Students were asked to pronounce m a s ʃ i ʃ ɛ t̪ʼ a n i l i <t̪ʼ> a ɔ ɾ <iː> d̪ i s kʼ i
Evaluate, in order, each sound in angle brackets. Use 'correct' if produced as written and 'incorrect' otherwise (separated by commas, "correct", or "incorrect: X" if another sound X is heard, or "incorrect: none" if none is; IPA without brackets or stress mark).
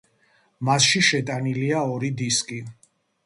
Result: incorrect: none, incorrect: i